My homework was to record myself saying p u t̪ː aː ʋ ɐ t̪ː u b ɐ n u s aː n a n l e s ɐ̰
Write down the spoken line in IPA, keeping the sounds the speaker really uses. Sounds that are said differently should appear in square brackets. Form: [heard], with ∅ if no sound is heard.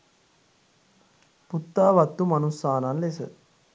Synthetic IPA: p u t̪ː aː ʋ ɐ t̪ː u [m] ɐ n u s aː n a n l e s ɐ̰